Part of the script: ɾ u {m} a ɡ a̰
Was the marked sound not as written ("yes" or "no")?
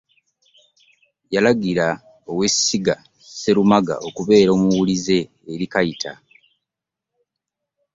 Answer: no